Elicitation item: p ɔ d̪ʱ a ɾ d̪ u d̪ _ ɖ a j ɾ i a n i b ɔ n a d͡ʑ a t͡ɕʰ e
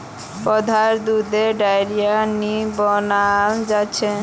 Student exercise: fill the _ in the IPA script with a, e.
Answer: e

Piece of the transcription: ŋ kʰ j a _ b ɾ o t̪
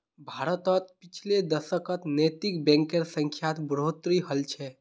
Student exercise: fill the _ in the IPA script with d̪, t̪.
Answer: t̪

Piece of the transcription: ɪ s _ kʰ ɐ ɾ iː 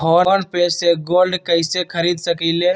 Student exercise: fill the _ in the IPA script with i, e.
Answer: e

